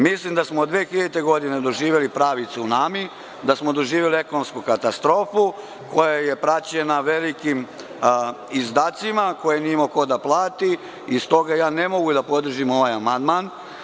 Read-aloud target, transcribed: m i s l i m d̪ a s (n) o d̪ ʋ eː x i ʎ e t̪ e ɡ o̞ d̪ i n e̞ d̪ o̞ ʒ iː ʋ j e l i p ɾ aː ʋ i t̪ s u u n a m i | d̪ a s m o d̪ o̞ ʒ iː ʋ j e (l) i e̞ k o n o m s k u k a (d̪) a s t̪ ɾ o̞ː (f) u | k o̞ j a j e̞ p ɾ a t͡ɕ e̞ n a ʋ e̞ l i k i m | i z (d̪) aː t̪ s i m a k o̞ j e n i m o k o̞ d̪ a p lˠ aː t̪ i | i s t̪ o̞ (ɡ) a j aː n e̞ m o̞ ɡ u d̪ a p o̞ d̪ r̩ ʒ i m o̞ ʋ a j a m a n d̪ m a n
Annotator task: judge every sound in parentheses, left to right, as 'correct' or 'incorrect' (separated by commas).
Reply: incorrect, correct, incorrect, correct, correct, correct